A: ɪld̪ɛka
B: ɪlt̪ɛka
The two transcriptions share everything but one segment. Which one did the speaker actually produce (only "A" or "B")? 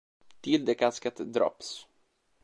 A